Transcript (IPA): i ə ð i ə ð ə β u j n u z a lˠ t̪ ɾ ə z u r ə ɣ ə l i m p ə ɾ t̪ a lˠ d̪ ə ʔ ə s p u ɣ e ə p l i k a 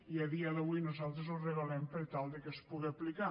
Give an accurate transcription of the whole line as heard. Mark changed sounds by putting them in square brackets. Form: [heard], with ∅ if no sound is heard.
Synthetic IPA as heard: i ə ð i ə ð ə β u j n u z a lˠ t̪ ɾ ə z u r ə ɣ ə l [ɛ] m p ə ɾ t̪ a lˠ d̪ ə [k] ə s p u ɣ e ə p l i k a

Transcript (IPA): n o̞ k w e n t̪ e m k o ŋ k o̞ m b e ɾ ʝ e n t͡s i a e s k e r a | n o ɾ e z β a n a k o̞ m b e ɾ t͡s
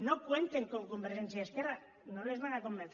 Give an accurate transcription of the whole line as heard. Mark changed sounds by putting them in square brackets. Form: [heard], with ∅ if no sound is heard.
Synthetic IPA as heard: n o̞ k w e n t̪ e [ŋ] k o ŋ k o̞ m b e ɾ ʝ e n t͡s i a e s k e r a | n o [l] e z β a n a k o̞ m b e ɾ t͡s

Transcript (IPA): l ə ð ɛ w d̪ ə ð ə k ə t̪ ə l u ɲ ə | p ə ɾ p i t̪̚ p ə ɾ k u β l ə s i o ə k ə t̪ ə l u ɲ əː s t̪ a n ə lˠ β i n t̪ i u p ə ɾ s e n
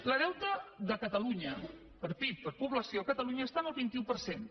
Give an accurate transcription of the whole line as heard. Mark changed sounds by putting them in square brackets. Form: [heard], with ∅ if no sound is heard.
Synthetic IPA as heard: l ə ð ɛ w [t̪] ə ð ə k ə t̪ ə l u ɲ ə | p ə ɾ p i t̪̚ p ə ɾ [p] u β l ə s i o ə k ə t̪ ə l u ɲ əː s t̪ a n ə lˠ β i n t̪ i u p ə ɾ s e n

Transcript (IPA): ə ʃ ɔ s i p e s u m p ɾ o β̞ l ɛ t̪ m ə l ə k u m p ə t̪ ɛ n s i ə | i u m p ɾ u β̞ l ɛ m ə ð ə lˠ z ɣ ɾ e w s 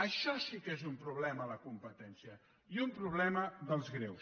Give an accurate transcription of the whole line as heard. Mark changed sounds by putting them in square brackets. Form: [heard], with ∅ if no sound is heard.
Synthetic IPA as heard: ə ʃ ɔ s i [k] e [z] u m p ɾ [u] β̞ l ɛ [∅] m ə l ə k u m p ə t̪ ɛ n s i ə | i u m p ɾ u β̞ l ɛ m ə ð ə lˠ z ɣ ɾ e w s

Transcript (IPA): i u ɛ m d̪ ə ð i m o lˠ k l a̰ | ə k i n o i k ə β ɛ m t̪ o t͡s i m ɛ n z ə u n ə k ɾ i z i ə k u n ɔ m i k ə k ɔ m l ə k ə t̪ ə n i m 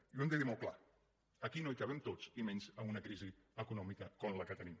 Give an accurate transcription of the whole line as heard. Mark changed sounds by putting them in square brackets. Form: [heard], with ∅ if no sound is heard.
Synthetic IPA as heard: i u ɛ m d̪ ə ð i m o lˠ k l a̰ | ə k i n o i k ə β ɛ m t̪ o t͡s i m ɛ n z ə u n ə k ɾ i z i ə k u n ɔ m i k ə k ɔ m l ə k ə t̪ ə n i m

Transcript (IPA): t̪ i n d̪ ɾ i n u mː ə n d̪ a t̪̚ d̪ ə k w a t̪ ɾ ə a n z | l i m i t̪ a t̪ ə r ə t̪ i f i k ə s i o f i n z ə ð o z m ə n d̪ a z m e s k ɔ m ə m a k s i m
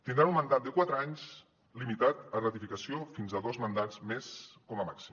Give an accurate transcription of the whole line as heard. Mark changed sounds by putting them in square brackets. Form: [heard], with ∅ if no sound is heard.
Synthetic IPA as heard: t̪ i n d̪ ɾ [a] n u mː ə n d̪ a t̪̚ d̪ ə k w a t̪ ɾ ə a [ɲ] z | l i m i t̪ a t̪ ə r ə t̪ i f i k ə s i o f i n z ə ð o z m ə n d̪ a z m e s k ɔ m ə m a k s i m

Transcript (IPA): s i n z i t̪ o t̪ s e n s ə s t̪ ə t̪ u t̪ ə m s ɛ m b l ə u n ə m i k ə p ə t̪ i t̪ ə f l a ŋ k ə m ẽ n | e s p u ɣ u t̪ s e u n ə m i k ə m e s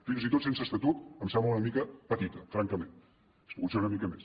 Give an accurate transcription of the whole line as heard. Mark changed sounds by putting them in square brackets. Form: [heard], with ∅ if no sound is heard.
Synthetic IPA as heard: [f] i n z i t̪ o t̪ s e n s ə s t̪ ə t̪ u t̪ ə m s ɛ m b l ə u n ə m i k ə p ə t̪ i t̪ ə f [ɾ] a ŋ k ə m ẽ n | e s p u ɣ u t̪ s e u n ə m i k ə m e s

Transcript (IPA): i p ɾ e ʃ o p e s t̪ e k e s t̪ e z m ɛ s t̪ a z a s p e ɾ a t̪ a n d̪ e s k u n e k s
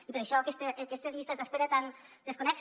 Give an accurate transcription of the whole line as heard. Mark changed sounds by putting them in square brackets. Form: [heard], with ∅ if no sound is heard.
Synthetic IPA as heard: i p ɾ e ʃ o [k] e s t̪ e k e s t̪ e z m [i] s t̪ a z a s p e ɾ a t̪ a n d̪ e s k [o] n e k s

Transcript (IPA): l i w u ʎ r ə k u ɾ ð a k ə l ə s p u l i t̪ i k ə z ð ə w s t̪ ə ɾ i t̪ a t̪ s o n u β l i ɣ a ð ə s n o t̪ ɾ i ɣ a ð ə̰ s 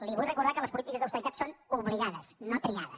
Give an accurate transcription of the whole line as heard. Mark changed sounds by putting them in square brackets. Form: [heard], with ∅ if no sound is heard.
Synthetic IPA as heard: l i [β] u [j] r ə k u ɾ ð a k ə l ə s p u l i t̪ i k ə z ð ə w s t̪ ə ɾ i t̪ a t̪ s o n u β l i ɣ a ð ə s n o t̪ ɾ i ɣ a ð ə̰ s

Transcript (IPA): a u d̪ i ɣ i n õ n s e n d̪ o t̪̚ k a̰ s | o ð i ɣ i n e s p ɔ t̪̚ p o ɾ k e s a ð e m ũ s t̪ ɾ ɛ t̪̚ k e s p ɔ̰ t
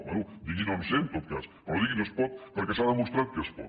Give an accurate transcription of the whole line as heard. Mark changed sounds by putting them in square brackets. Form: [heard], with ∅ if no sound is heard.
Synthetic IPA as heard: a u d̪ i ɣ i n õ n s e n [t̪] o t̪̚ k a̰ s | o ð i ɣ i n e s p ɔ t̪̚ p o ɾ k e s a ð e m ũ s t̪ ɾ [a] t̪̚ k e s p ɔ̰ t

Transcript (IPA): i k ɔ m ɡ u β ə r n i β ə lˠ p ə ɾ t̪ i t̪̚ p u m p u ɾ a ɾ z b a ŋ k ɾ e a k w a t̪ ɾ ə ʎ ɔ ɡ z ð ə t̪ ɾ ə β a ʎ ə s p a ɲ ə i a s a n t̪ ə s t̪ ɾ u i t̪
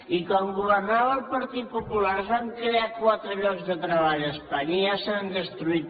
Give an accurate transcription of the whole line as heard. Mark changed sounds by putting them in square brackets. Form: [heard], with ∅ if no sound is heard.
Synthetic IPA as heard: i k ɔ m ɡ u β ə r n [a] β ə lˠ p ə ɾ t̪ i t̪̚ p u [∅] p u [l] a ɾ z [β] a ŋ k ɾ e a k w a t̪ ɾ ə ʎ ɔ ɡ z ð ə t̪ ɾ ə β a ʎ ə s p a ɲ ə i a s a n [d̪] ə s t̪ ɾ u i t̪

